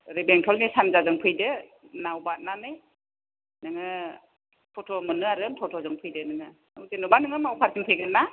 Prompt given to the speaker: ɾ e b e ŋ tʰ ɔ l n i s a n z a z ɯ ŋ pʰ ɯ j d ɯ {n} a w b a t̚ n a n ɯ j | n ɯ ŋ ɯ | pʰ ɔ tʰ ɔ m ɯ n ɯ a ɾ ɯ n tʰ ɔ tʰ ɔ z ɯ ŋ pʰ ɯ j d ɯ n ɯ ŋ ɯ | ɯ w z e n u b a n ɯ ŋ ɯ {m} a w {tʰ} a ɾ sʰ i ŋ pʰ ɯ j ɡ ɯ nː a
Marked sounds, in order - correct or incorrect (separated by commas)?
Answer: correct, correct, incorrect